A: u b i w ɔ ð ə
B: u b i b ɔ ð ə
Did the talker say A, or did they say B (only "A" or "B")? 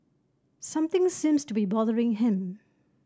B